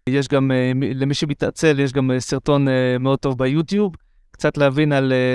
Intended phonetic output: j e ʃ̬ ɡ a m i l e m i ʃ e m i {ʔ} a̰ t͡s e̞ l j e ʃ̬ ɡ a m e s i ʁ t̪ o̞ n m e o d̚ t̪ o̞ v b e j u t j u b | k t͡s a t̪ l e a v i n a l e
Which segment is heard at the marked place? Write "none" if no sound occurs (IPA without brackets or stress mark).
t